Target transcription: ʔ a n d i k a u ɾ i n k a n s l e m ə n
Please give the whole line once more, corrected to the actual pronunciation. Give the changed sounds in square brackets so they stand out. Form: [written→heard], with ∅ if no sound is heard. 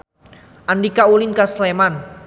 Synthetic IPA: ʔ a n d i k a u [ɾ→l] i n k a [n→∅] s l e m [ə→a] n